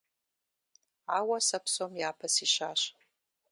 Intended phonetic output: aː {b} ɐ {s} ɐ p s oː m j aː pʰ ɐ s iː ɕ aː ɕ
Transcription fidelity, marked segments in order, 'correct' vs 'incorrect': incorrect: w, correct

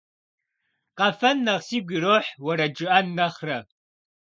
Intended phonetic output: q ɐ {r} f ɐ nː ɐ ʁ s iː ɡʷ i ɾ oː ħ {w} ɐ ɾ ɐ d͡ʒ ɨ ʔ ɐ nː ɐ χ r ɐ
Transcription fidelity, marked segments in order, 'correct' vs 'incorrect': incorrect: none, correct

